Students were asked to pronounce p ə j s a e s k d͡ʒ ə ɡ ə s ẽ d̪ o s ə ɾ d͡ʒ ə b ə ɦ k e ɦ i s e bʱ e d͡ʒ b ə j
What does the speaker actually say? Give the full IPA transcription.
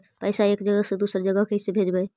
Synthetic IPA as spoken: p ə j s a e k d͡ʒ ə ɡ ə s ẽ d̪ u s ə ɾ d͡ʒ ə ɡ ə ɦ k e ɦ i s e bʱ e d͡ʒ b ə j